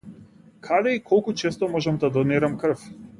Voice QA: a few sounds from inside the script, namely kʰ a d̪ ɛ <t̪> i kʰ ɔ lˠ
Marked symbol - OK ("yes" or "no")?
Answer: no